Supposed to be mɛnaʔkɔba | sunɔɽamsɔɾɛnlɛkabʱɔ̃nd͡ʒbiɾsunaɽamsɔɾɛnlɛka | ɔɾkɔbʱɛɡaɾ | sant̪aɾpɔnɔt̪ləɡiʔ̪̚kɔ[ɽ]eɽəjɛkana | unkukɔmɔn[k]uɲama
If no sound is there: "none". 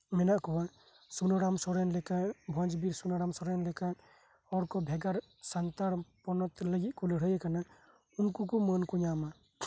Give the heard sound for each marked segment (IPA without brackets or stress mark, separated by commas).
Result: l, k